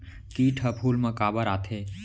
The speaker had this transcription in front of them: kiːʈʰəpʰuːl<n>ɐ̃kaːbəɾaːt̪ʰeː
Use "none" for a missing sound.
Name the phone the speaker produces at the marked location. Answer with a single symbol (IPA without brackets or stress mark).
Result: m